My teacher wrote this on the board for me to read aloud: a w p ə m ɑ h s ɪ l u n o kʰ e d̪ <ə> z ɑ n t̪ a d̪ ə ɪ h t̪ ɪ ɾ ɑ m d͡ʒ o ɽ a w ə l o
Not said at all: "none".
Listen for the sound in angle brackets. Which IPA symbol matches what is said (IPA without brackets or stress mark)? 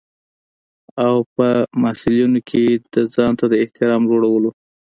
ə